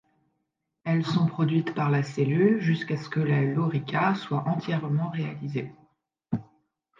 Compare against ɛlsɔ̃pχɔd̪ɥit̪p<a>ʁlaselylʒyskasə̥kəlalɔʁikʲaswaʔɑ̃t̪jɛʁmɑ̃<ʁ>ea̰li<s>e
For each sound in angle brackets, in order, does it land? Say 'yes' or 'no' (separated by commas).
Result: yes, yes, no